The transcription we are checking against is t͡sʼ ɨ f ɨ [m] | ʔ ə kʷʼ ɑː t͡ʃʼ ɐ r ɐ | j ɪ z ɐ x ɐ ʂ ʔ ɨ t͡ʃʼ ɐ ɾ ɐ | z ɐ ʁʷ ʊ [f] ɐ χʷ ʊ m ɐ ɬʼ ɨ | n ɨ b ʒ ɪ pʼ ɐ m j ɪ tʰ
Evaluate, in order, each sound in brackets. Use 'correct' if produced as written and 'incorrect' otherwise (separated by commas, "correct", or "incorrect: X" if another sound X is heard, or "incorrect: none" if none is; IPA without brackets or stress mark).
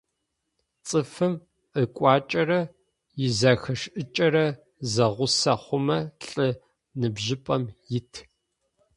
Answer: correct, incorrect: s